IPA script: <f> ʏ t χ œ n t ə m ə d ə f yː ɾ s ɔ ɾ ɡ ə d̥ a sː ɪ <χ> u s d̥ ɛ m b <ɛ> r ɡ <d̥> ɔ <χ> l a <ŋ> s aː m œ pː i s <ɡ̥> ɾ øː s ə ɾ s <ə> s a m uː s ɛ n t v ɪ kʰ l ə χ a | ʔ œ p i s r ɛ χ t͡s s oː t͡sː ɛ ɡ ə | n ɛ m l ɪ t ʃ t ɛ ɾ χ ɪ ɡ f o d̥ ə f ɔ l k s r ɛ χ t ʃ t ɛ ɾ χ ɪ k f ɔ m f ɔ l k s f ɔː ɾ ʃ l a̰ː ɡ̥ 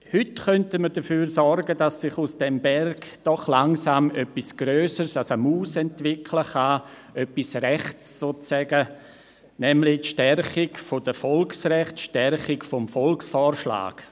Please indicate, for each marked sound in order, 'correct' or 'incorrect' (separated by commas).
incorrect, correct, correct, correct, correct, correct, correct, incorrect